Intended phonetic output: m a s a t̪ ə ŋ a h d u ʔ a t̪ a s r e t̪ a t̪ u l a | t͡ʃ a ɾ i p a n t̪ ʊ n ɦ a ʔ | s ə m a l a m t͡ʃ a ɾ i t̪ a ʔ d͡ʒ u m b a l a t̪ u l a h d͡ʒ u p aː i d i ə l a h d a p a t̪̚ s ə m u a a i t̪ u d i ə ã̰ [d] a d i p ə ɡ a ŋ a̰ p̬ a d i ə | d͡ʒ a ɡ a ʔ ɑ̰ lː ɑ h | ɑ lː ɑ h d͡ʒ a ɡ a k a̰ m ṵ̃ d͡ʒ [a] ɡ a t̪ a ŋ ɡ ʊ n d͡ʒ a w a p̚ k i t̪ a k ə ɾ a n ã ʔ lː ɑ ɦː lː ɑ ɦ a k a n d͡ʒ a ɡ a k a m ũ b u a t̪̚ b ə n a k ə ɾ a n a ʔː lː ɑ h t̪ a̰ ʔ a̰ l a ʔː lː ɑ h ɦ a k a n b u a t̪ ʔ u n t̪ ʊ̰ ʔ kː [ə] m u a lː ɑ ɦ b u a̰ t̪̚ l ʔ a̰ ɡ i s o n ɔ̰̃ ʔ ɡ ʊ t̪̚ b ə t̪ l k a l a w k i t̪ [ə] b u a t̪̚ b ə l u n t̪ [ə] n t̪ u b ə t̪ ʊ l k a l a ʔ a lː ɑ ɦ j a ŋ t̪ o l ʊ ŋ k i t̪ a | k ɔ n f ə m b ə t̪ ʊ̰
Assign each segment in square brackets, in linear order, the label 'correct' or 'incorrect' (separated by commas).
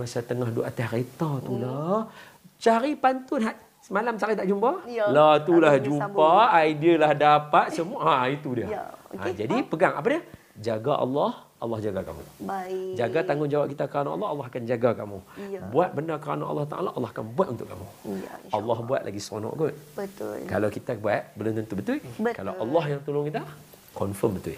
incorrect, correct, incorrect, incorrect, correct